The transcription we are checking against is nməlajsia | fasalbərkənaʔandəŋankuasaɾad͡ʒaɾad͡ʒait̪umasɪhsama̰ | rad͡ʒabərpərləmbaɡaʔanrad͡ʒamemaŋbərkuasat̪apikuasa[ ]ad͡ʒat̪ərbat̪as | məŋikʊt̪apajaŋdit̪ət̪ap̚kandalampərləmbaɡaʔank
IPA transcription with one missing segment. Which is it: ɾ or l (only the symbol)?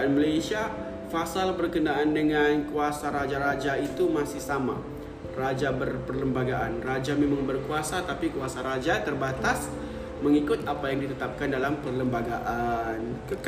ɾ